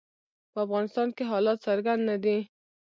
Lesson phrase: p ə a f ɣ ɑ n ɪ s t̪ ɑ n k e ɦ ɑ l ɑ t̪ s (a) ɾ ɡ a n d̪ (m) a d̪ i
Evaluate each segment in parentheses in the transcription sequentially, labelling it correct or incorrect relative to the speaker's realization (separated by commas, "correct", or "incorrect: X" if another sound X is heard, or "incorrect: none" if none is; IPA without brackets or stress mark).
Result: correct, incorrect: n